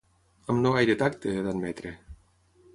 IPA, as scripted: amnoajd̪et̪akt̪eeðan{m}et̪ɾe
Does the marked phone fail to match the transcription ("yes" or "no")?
no